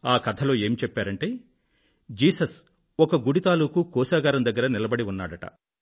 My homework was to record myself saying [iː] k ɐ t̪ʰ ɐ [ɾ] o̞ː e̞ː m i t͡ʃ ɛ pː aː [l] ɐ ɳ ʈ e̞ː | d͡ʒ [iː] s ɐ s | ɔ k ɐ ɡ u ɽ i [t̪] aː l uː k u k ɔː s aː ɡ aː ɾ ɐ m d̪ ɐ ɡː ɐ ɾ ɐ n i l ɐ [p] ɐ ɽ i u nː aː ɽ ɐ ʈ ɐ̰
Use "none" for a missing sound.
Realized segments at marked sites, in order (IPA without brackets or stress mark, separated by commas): aː, l, ɾ, iː, t̪, b